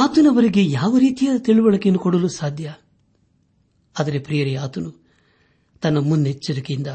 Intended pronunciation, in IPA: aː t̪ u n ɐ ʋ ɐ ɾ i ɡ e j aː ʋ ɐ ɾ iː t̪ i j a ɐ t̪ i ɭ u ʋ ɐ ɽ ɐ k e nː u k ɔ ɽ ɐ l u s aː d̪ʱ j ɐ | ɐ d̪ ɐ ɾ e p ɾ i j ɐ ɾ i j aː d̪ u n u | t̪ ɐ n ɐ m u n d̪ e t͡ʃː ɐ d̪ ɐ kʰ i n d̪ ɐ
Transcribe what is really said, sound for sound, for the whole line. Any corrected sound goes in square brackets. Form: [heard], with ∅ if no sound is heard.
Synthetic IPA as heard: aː t̪ u n ɐ ʋ ɐ ɾ i ɡ e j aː ʋ ɐ ɾ iː t̪ i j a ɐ t̪ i ɭ u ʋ ɐ [ɭ] ɐ k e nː u k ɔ ɽ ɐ l u s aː d̪ʱ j ɐ | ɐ d̪ ɐ ɾ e p ɾ i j ɐ ɾ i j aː [t̪] u n u | t̪ ɐ [nː] ɐ m u n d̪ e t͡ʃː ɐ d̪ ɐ [k] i n d̪ ɐ